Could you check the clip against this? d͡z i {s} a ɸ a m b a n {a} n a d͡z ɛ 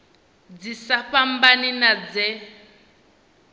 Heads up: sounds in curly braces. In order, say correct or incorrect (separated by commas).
correct, incorrect